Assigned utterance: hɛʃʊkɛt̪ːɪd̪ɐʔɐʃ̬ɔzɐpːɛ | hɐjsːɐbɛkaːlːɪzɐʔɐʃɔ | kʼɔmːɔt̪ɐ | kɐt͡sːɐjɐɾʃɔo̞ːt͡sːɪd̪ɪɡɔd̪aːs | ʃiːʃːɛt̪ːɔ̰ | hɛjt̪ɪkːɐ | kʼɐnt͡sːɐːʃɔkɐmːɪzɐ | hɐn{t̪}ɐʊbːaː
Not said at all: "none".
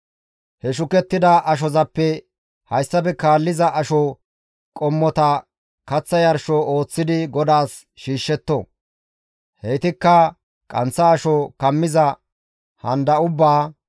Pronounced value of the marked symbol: d̪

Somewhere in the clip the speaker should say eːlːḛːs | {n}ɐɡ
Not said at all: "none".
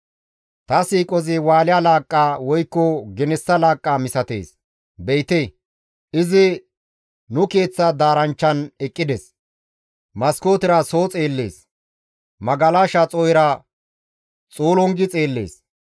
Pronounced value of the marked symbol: m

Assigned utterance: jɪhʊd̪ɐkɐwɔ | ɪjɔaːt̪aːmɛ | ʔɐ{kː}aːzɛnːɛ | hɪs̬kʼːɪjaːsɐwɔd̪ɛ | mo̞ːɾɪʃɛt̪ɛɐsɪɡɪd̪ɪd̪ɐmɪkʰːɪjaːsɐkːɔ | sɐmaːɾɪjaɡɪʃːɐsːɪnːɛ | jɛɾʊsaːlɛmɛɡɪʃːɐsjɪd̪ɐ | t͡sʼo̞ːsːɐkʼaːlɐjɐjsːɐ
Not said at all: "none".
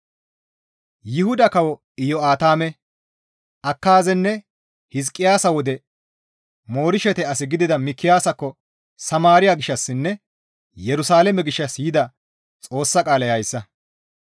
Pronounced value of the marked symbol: kː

